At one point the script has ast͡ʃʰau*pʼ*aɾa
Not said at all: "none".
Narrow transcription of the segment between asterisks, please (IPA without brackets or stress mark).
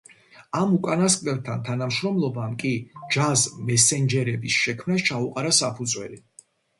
qʼ